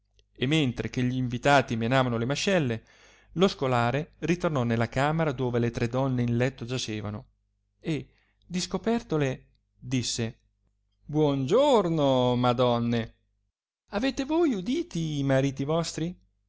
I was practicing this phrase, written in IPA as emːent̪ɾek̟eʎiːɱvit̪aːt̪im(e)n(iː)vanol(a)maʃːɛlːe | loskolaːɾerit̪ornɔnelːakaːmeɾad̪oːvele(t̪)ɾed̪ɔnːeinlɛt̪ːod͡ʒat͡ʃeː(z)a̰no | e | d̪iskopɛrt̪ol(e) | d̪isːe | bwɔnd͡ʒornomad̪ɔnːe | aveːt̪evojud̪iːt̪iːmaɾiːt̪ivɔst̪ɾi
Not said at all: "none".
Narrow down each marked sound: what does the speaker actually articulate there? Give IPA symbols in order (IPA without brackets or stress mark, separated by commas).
e, aː, e, t̪, v, e